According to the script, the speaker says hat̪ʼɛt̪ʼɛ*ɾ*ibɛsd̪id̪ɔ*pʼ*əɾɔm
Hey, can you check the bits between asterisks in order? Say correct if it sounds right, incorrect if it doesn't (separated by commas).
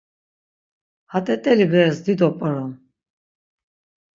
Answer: incorrect, correct